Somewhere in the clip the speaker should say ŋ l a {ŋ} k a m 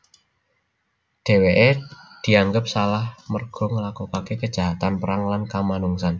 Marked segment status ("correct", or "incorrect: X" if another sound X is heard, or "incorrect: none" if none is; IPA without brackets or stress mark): incorrect: n